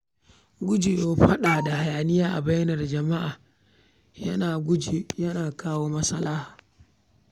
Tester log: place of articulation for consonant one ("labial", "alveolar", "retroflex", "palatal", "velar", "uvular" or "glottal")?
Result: velar